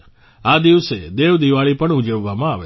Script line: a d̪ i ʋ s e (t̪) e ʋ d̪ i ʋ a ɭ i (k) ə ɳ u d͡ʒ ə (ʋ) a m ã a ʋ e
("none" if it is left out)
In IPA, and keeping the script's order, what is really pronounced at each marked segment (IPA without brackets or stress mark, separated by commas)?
d̪, p, ʋː